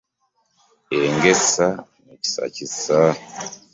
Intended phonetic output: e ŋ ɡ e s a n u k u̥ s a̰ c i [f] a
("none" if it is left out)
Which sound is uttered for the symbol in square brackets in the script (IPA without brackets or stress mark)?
s